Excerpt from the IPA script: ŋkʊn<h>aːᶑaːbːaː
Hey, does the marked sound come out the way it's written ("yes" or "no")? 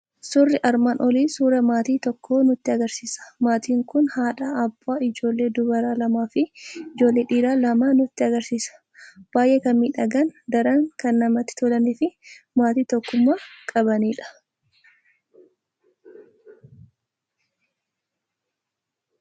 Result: yes